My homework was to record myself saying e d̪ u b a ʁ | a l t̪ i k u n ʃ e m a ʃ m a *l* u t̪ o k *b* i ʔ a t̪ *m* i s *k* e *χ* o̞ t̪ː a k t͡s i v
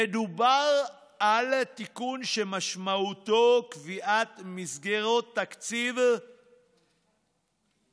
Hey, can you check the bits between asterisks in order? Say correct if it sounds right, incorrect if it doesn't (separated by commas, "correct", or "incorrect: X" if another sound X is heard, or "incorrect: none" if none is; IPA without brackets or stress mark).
incorrect: none, incorrect: v, correct, incorrect: ɡ, incorrect: ʁ